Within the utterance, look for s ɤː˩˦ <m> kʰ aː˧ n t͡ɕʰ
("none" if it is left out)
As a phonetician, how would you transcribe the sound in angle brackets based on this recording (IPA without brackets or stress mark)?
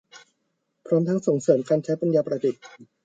m